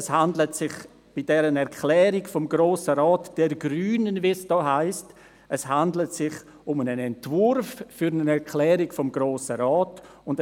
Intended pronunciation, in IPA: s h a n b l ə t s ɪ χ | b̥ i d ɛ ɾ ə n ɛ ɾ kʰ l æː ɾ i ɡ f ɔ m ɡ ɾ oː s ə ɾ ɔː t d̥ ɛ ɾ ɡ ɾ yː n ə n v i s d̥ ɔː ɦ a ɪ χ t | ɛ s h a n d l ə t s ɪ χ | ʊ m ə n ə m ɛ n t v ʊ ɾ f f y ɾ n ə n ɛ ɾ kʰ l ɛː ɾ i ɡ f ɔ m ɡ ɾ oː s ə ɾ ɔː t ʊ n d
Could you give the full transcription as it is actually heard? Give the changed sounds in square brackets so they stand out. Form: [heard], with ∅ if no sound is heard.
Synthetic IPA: s h a n [d] l ə t s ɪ χ | b̥ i d ɛ ɾ ə n ɛ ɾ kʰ l [ɛː] ɾ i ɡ f ɔ m ɡ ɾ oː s ə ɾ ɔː t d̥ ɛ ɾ ɡ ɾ yː n ə n v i s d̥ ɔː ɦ a ɪ [s] t | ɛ s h a n d l ə t s ɪ χ | ʊ m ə n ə [n] ɛ n t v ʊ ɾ f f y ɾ n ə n ɛ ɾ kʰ l ɛː ɾ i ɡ f ɔ m ɡ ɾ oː s ə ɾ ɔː t ʊ n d